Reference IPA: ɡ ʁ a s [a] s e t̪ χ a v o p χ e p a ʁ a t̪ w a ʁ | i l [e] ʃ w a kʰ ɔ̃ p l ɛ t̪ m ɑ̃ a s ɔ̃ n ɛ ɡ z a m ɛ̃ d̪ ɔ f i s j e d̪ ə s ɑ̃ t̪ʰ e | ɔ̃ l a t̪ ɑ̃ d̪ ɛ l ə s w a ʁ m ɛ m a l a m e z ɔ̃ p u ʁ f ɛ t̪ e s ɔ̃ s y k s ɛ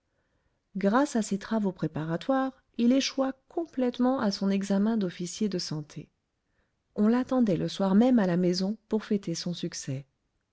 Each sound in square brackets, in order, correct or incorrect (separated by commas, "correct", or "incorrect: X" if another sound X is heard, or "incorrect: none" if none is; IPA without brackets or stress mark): correct, correct